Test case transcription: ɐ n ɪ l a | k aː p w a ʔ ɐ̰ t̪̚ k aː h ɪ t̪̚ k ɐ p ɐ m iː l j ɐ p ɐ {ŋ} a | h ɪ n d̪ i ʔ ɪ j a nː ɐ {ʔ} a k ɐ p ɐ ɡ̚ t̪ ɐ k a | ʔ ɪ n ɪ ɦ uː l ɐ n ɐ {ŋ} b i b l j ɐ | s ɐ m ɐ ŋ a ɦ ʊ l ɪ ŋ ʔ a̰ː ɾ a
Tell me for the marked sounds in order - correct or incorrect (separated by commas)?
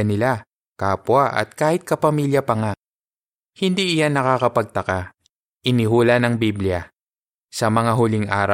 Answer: correct, incorrect, correct